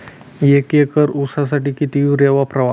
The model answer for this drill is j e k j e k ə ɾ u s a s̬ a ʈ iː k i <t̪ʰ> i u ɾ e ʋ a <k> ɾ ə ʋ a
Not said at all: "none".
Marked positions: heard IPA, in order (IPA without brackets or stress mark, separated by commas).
t̪, p